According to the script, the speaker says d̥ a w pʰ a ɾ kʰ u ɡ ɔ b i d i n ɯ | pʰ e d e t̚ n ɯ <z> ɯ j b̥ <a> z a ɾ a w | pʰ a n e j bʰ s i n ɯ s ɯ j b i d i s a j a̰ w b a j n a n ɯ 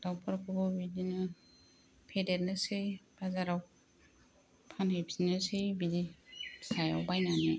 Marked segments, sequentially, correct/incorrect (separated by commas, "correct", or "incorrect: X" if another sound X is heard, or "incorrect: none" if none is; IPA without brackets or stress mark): incorrect: s, correct